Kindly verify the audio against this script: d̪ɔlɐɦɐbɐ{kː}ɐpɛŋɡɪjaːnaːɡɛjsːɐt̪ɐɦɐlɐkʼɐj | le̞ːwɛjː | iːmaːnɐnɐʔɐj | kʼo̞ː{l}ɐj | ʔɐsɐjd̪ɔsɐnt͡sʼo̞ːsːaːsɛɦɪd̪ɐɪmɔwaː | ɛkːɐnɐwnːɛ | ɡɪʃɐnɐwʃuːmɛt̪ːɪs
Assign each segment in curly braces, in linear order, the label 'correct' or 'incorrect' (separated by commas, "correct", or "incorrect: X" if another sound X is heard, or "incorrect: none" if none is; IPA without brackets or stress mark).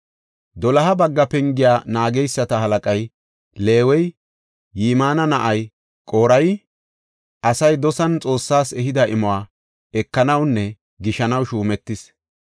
incorrect: ɡː, incorrect: ɾ